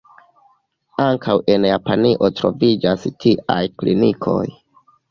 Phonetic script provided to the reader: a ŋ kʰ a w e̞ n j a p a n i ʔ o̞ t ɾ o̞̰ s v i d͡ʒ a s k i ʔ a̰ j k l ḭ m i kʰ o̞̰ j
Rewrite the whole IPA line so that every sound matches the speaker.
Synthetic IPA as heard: a ŋ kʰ a w e̞ n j a p a n i ʔ o̞ t ɾ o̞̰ v i d͡ʒ a s t i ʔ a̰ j k l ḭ n i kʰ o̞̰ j